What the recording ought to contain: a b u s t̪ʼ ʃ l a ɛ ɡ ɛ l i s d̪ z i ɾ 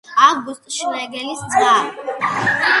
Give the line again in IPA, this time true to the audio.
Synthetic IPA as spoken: a ɡ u s t̪ʼ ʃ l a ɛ ɡ ɛ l i s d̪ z a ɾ